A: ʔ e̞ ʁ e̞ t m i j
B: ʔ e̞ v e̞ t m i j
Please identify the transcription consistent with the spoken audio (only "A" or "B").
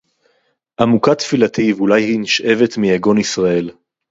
B